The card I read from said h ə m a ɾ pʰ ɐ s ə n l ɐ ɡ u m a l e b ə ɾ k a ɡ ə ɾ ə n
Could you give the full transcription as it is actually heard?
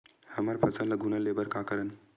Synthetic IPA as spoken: h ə m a ɾ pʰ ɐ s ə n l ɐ ɡ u n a l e b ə ɾ k a k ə ɾ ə n